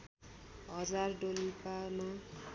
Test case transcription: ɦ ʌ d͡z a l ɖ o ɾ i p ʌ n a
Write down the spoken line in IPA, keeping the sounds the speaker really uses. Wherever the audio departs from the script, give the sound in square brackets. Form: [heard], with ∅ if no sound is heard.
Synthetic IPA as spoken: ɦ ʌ d͡z a [r] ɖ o [l] i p [a] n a